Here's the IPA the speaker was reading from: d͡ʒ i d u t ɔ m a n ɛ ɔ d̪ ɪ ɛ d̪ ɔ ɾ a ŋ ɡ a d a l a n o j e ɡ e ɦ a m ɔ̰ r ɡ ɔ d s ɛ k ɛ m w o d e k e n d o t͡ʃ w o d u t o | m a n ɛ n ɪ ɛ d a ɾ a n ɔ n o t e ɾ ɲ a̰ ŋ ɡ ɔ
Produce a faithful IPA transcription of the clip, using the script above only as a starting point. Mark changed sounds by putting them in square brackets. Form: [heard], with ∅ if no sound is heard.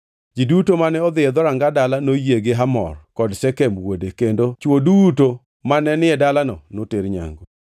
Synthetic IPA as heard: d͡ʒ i d u t [o] m a n ɛ ɔ d̪ ɪ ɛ d̪ ɔ ɾ a ŋ ɡ a d a l a n o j e ɡ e ɦ a m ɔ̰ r [k] ɔ d s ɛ k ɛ m w o d e k e n d o t͡ʃ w o d u t o | m a n ɛ n ɪ ɛ d a [l] a n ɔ n o t e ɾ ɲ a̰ ŋ ɡ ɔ

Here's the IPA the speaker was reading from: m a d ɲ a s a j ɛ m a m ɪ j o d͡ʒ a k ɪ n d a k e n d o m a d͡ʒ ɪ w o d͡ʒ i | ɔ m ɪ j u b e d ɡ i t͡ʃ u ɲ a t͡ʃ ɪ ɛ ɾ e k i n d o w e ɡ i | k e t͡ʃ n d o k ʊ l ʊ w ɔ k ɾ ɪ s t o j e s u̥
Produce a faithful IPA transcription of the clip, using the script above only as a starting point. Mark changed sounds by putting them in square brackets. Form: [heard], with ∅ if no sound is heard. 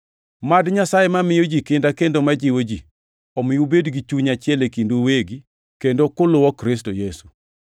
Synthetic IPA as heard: m a d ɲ a s a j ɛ m a m ɪ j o d͡ʒ [i] k ɪ n d a k e n d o m a d͡ʒ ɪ w o d͡ʒ i | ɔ m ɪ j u b e d ɡ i t͡ʃ u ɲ a t͡ʃ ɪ ɛ [l] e k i n d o w e ɡ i | k e [∅] n d o k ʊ l ʊ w ɔ k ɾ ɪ s t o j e s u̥

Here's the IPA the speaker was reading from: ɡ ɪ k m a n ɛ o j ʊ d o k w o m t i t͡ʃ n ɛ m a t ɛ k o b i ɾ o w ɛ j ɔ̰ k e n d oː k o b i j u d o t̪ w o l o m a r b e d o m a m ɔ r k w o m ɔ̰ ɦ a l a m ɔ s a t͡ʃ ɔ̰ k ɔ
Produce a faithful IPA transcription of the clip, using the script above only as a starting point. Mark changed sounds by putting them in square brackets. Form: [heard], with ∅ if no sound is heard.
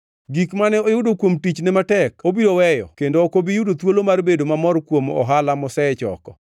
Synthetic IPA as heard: ɡ [i] k m a n ɛ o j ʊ d o k w o m t i t͡ʃ n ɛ m a t ɛ k o b i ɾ o w ɛ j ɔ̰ k e n d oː k o b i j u d o t̪ w o l o m a r b e d o m a m ɔ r k w o m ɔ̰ ɦ a l a m ɔ s [ɛ] t͡ʃ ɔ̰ k ɔ

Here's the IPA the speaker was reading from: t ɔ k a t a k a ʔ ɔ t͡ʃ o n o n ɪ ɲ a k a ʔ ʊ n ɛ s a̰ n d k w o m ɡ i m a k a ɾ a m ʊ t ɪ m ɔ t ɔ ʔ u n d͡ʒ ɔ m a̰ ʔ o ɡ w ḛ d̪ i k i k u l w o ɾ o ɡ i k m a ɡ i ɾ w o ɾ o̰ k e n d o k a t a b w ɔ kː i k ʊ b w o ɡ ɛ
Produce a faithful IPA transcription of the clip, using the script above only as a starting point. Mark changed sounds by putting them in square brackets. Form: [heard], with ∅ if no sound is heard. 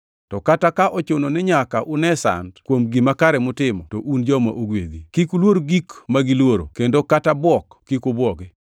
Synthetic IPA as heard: t ɔ k a t a k a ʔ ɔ t͡ʃ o n o n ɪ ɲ a k a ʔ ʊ n ɛ s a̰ n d k w o m ɡ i m a k a ɾ [ɛ] m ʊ t ɪ m ɔ t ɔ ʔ u n d͡ʒ ɔ m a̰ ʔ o ɡ w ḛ d̪ i k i k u l w o ɾ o ɡ i k m a ɡ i [l] w o ɾ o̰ k e n d o k a t a b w ɔ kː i k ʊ b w [ɔ] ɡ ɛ

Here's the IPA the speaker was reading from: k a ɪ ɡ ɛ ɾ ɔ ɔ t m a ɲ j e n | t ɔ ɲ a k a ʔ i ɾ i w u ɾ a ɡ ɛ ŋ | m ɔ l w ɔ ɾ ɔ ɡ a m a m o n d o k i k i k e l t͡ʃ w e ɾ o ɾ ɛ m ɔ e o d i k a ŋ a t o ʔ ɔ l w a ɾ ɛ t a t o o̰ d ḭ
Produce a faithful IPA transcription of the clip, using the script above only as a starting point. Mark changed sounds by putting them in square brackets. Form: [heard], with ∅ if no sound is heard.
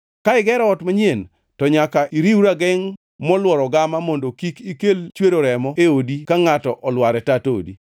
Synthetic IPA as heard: k a ɪ ɡ ɛ ɾ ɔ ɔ t m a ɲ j e n | t ɔ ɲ a k a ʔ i ɾ i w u ɾ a ɡ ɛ ŋ | m ɔ l w ɔ ɾ ɔ ɡ a m a m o n d o k i k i k e l t͡ʃ w e ɾ o ɾ ɛ m ɔ e o d i k a ŋ a t [ɔ] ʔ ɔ l w a ɾ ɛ t a t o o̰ d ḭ

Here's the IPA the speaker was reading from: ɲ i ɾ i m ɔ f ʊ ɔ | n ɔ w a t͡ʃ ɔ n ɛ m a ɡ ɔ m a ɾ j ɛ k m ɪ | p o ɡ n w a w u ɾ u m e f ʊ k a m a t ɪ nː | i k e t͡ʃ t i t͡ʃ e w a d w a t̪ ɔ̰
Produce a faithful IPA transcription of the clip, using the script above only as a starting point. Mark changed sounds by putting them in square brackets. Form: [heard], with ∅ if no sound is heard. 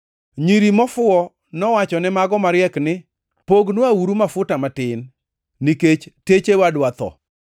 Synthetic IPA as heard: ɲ i ɾ i m ɔ f ʊ ɔ | n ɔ w a t͡ʃ ɔ n ɛ m a ɡ ɔ m a ɾ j ɛ k [n] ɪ | p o ɡ n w a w u ɾ u m [a] f ʊ [t] a m a t ɪ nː | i k e t͡ʃ t [e] t͡ʃ e w a d w a t̪ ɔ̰

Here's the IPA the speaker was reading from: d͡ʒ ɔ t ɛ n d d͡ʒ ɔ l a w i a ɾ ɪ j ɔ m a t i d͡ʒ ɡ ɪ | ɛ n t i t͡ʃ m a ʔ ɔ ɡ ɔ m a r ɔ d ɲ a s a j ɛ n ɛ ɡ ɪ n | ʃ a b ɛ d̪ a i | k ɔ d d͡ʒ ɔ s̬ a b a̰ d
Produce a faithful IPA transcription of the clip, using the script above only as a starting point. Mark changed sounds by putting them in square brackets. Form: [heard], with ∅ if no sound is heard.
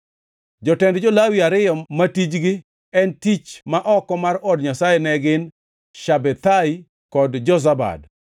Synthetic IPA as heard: d͡ʒ ɔ t ɛ n d d͡ʒ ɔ l a w i a ɾ ɪ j ɔ m a t i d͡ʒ ɡ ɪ | ɛ n t i t͡ʃ m a ʔ ɔ [k] ɔ m a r ɔ d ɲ a s a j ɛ n ɛ ɡ ɪ n | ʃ a b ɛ [t̪] a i | k ɔ d d͡ʒ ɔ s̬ a b a̰ d

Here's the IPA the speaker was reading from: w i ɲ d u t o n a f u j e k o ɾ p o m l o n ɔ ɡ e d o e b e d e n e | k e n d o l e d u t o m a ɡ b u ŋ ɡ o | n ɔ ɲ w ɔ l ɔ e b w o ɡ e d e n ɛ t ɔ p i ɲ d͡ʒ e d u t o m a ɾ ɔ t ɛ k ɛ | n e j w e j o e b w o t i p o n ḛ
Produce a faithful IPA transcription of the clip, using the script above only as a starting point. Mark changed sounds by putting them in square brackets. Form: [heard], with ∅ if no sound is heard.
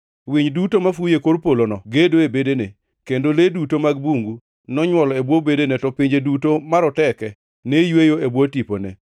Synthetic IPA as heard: w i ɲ d u t o [m] a f u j e k o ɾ p o [∅] l o n ɔ ɡ e d o e b e d e n e | k e n d o l e d u t o m a ɡ b u ŋ ɡ [u] | n ɔ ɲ w ɔ l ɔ e b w o [b] e d e n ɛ t ɔ p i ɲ d͡ʒ e d u t o m a ɾ ɔ t ɛ k ɛ | n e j w e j o e b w o t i p o n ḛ

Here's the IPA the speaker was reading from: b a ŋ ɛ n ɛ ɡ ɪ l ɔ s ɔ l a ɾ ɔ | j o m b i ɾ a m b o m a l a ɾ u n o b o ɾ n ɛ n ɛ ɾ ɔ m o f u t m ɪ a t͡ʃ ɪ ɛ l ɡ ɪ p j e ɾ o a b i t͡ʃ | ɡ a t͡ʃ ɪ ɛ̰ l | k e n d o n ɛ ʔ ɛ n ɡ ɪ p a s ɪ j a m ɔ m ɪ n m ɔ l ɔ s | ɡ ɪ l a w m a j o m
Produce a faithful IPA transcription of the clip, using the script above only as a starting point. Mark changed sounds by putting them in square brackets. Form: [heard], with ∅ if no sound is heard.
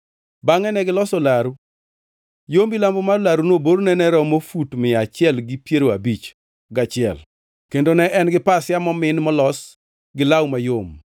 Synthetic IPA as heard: b a ŋ ɛ n ɛ ɡ ɪ l ɔ s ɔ l a ɾ [u] | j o m b i [l] a m b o m a l a ɾ u n o b o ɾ n ɛ n ɛ ɾ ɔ m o f u t m ɪ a t͡ʃ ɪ ɛ l ɡ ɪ p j e ɾ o a b i t͡ʃ | ɡ a t͡ʃ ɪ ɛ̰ l | k e n d o n ɛ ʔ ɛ n ɡ ɪ p a s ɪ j a m ɔ m ɪ n m ɔ l ɔ s | ɡ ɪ l a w m a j o m

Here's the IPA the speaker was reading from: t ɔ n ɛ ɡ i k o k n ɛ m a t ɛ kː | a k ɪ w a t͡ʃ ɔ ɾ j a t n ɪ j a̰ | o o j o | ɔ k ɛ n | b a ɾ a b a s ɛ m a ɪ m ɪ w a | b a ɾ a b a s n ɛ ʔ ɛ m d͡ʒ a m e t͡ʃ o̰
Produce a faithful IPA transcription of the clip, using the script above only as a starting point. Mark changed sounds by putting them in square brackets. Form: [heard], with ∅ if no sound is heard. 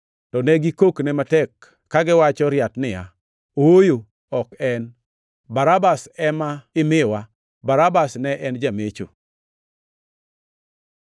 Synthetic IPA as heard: t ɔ n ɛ ɡ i k o k n ɛ m a t ɛ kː | a [ɡ] ɪ w a t͡ʃ ɔ ɾ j a t n ɪ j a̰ | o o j o | ɔ k ɛ n | b a ɾ a b a s ɛ m a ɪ m ɪ w a | b a ɾ a b a s n ɛ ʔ ɛ [n] d͡ʒ a m e t͡ʃ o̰

